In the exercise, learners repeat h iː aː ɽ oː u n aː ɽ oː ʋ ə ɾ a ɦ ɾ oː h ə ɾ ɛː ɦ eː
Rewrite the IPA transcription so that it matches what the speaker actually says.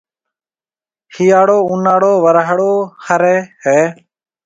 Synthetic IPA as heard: h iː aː ɽ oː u n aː ɽ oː ʋ ə ɾ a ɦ ɽ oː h ə ɾ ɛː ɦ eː